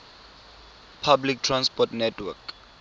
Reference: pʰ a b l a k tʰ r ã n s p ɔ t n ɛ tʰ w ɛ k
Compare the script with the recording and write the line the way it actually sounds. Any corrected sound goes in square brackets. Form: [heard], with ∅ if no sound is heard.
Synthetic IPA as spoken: pʰ a b l [i] k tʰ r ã n s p ɔ t n ɛ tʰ w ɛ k